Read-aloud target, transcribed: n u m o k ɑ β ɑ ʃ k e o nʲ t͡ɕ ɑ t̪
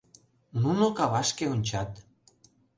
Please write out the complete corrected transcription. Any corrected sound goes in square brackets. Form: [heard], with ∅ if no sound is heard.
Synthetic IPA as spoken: n u [n] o k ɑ β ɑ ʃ k e o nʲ t͡ɕ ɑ t̪

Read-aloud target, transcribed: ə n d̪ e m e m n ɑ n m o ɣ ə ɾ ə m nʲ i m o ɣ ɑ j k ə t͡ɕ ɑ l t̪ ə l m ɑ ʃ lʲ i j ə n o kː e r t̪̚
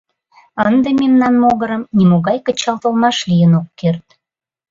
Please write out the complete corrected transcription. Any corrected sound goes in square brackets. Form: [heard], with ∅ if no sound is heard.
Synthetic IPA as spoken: ə n d̪ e m e m n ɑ n m o ɣ ə ɾ ə m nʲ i m o ɣ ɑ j k ə t͡ɕ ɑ l t̪ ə l m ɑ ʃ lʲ i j ə n o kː e r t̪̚

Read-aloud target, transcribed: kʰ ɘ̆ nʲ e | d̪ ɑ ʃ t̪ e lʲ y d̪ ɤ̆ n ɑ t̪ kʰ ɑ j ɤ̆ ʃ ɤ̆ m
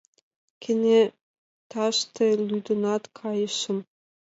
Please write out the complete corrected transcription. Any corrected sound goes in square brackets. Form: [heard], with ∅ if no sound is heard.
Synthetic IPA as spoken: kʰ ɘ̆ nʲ e | [t̪] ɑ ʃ t̪ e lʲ y d̪ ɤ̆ n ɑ t̪ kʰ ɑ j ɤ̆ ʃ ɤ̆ m

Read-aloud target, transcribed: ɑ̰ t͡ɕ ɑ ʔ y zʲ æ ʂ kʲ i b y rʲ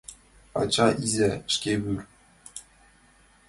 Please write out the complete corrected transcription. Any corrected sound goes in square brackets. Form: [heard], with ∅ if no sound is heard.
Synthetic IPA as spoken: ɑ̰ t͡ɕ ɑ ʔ [i] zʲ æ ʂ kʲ [e] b y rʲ

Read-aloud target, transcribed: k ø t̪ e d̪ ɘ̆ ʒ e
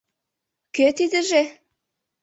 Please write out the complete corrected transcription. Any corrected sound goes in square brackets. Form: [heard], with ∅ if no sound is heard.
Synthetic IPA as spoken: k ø t̪ [i] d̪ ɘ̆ ʒ e

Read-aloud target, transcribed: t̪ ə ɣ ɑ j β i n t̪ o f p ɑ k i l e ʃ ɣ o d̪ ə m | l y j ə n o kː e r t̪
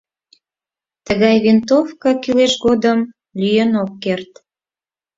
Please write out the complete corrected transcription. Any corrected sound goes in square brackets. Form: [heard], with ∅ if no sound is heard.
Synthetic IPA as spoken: t̪ ə ɣ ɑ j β i n t̪ o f [k] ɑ k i l e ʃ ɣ o d̪ ə m | l y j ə n o kː e r t̪

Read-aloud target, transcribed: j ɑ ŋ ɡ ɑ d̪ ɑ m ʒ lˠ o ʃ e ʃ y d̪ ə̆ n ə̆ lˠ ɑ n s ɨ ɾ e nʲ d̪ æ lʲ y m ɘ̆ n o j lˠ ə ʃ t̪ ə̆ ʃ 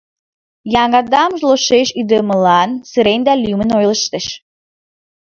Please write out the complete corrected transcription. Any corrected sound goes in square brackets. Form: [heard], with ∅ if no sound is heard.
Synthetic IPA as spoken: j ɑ ŋ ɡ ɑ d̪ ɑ m ʒ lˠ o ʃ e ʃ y d̪ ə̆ [m] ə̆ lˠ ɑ n s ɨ ɾ e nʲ d̪ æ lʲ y m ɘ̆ n o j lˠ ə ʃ t̪ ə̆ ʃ

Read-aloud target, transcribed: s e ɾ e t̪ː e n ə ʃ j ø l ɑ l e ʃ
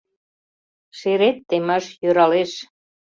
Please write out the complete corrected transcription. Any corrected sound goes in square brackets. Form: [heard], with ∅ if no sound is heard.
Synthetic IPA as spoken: [ʃ] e ɾ e t̪ː e [m] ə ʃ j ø [ɾ] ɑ l e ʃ

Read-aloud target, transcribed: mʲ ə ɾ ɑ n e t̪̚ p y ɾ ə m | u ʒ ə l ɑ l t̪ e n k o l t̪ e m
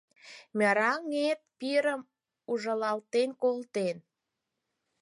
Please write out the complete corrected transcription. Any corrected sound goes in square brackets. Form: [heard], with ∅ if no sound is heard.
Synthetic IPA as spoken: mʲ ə ɾ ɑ [ŋ] e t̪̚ p [i] ɾ ə m | u ʒ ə l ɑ l t̪ e n k o l t̪ e [n]

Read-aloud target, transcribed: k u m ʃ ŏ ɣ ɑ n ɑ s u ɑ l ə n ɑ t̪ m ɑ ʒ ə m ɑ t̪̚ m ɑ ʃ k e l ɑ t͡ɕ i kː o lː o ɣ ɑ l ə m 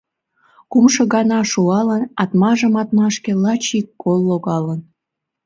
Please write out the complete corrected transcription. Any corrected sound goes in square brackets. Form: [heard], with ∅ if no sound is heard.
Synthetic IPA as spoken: k u m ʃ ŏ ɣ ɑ n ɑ [ʃ] u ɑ l ə n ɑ t̪ m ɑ ʒ ə m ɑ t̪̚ m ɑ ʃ k e l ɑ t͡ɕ i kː o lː o ɣ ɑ l ə [n]

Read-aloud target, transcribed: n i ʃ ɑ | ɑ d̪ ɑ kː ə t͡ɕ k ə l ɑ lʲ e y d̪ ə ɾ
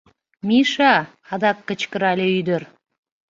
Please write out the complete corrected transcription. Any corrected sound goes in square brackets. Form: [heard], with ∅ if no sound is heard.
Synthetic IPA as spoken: [m] i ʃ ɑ | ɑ d̪ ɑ kː ə t͡ɕ k ə [ɾ] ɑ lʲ e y d̪ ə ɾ

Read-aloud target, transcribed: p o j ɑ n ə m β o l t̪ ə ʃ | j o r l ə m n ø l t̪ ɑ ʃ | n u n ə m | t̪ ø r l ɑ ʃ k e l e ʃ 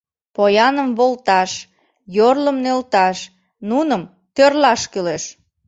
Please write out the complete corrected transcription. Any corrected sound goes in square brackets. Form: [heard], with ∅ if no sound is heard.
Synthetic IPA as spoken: p o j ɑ n ə m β o l t̪ [ɑ] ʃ | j o r l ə m n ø l t̪ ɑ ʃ | n u n ə m | t̪ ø r l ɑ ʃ k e l e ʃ

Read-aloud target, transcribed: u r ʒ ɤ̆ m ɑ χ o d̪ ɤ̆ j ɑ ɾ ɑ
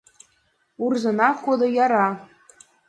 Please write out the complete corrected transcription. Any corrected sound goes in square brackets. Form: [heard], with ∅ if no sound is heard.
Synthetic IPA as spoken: u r [z] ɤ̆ [n] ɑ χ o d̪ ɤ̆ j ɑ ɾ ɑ

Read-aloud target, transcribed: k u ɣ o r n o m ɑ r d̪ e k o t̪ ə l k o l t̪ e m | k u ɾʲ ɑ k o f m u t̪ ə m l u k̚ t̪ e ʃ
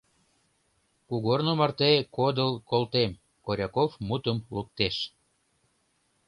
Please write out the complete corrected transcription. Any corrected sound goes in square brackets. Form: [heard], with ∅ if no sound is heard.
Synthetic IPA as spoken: k u ɣ o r n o m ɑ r [t̪] e k o [d̪] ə l k o l t̪ e m | k [o] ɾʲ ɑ k o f m u t̪ ə m l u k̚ t̪ e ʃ

